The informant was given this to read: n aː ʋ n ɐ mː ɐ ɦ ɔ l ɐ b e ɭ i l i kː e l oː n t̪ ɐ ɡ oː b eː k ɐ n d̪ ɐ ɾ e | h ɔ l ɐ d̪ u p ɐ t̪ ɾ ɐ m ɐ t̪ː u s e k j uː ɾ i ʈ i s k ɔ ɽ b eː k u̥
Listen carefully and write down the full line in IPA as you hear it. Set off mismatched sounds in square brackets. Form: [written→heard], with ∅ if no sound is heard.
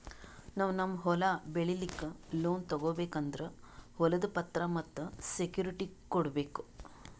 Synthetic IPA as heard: n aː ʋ n ɐ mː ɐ ɦ ɔ l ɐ b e ɭ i l i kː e l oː n t̪ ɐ ɡ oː b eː k ɐ n d̪ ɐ ɾ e | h ɔ l ɐ d̪ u p ɐ t̪ ɾ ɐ m ɐ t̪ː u s e k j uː ɾ i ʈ i [s→∅] k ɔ ɽ b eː k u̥